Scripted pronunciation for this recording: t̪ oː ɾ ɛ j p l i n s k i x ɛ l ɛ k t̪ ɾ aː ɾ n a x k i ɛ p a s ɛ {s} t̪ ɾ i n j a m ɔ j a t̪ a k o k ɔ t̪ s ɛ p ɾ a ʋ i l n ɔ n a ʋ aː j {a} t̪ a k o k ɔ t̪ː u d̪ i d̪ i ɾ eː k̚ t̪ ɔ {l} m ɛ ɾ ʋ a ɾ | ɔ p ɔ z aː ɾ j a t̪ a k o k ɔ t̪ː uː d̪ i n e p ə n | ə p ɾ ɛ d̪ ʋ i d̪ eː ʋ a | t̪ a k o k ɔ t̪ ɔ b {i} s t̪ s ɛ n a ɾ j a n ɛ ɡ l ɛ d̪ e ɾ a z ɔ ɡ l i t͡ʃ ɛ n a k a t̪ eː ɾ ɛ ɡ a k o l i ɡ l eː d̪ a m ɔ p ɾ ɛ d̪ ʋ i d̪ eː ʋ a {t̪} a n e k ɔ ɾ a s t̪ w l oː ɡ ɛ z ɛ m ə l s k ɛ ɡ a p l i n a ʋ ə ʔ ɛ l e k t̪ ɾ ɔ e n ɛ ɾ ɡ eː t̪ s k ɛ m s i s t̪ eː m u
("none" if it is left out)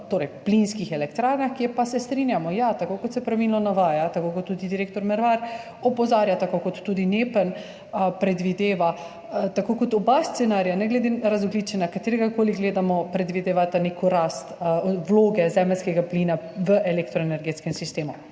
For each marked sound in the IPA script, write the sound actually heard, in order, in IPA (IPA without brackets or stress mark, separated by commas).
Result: s, a, ɾ, a, t̪